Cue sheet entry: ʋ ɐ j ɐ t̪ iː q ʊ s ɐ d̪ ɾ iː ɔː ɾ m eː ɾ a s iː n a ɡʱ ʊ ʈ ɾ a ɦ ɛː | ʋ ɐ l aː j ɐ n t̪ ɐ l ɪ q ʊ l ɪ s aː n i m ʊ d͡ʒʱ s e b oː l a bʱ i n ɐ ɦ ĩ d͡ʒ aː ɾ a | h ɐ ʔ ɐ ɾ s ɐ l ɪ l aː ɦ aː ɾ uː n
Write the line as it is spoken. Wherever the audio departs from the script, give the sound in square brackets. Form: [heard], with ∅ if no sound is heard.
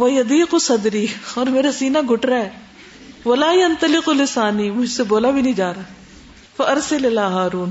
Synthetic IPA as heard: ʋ ɐ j ɐ [d̪] iː q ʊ s ɐ d̪ ɾ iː ɔː ɾ m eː ɾ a s iː n a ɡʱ ʊ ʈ ɾ a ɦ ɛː | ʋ ɐ l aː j ɐ n t̪ ɐ l ɪ q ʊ l ɪ s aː n i m ʊ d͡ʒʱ s e b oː l a bʱ i n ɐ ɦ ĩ d͡ʒ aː ɾ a | [f] ɐ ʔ ɐ ɾ s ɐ l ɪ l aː ɦ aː ɾ uː n